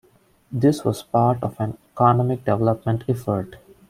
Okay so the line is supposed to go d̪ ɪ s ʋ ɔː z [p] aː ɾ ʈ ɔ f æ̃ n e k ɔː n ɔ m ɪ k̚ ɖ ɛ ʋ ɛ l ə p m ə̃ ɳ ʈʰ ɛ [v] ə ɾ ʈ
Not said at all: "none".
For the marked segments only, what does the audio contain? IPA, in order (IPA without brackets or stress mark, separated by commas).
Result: p, f